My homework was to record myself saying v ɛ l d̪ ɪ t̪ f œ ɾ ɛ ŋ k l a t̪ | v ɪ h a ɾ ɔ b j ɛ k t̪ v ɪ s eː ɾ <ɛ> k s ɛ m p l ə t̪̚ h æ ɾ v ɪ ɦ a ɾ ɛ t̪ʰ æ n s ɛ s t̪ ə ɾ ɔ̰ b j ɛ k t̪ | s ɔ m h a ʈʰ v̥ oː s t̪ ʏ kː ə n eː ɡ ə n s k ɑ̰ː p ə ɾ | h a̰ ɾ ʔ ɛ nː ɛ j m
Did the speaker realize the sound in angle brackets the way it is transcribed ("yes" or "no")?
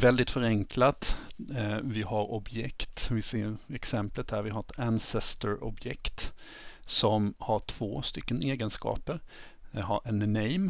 yes